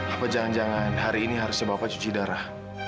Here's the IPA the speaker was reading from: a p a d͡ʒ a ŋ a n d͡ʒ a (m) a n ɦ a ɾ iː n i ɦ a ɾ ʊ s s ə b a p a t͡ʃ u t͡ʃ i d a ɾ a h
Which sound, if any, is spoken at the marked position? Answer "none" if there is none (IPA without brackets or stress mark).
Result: ŋ